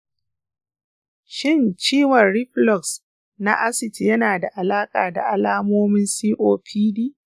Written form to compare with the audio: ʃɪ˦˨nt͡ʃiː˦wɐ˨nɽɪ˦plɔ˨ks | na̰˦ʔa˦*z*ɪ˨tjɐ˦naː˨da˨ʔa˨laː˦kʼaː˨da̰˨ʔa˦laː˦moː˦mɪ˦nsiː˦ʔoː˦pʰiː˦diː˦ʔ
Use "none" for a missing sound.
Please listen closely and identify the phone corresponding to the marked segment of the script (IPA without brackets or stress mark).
s